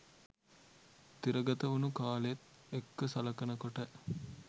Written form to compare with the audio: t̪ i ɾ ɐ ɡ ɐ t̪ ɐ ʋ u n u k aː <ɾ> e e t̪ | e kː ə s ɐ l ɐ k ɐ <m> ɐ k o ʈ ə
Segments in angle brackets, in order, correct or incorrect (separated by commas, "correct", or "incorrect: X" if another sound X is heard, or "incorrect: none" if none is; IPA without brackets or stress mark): incorrect: l, incorrect: n